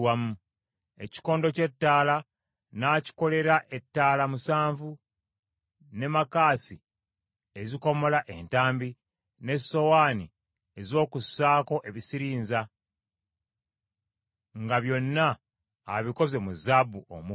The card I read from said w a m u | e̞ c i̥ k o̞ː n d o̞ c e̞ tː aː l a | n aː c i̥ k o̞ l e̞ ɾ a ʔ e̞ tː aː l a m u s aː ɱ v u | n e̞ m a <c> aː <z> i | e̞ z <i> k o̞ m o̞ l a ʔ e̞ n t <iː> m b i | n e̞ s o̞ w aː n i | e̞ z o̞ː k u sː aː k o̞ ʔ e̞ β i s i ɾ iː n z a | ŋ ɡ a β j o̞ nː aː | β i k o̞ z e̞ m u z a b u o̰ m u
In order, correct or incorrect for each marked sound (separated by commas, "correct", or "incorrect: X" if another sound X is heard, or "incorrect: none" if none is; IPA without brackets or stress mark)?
incorrect: k, incorrect: s, correct, incorrect: aː